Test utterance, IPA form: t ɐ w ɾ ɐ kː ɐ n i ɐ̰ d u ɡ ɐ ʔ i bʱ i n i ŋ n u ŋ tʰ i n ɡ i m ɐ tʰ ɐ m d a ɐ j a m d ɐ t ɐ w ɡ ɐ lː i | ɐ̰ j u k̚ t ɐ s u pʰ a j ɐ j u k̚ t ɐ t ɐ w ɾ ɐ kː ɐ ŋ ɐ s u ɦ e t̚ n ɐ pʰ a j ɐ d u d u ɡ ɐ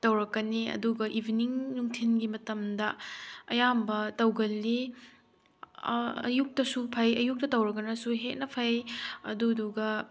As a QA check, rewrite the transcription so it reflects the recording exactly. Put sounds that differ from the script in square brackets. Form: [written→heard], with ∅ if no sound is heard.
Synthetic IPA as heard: t ɐ w ɾ ɐ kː ɐ n i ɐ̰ d u ɡ ɐ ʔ i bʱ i n i ŋ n u ŋ tʰ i n ɡ i m ɐ [tʰ→t] ɐ m d [a→ɐ] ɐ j a m [d→b] ɐ t ɐ w ɡ ɐ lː i | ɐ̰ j u k̚ t ɐ s u pʰ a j ɐ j u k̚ t ɐ t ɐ w ɾ ɐ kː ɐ [ŋ→n] ɐ s u ɦ e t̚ n ɐ pʰ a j ɐ d u d u ɡ ɐ